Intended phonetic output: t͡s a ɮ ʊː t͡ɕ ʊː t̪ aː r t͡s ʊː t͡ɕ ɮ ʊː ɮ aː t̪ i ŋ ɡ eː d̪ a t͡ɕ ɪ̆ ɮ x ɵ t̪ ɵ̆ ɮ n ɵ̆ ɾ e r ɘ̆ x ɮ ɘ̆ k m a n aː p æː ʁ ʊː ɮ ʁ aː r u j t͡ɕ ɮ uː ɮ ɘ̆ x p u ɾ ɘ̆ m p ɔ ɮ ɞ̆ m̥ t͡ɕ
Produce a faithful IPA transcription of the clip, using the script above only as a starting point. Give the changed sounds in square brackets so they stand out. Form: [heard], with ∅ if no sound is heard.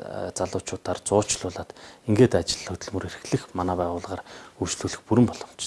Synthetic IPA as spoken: t͡s a ɮ ʊː t͡ɕ ʊː t̪ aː r t͡s ʊː t͡ɕ ɮ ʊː ɮ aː t̪ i ŋ ɡ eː [t̪] a t͡ɕ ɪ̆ ɮ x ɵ t̪ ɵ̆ ɮ [m] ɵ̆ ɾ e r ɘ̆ x ɮ ɘ̆ [x] m a n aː p æː ʁ ʊː ɮ ʁ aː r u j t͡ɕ ɮ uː ɮ ɘ̆ x p u ɾ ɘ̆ m p ɔ ɮ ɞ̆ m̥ t͡ɕ